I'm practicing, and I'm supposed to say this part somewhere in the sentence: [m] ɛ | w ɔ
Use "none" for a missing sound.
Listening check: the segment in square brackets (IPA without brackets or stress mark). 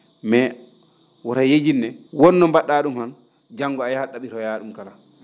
m